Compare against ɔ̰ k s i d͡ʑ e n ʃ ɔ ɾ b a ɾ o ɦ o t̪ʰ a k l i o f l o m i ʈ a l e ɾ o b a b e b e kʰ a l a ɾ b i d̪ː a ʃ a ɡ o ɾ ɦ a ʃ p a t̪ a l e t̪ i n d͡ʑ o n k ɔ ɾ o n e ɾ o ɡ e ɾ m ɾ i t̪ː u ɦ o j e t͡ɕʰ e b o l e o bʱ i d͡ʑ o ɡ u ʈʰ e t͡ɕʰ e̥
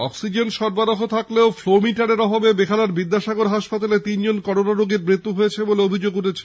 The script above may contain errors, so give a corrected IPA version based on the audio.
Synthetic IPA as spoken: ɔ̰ k s i d͡ʑ e n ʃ ɔ ɾ b a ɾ o ɦ o t̪ʰ a k l e o f l o m i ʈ a ɾ e ɾ ɔ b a b e b e kʰ a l a ɾ b i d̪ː a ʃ a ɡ o ɾ ɦ a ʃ p a t̪ a l e t̪ i n d͡ʑ o n k ɔ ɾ o n a ɾ o ɡ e ɾ m ɾ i t̪ː u ɦ o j e t͡ɕʰ e b o l e o bʱ i d͡ʑ o ɡ u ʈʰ e t͡ɕʰ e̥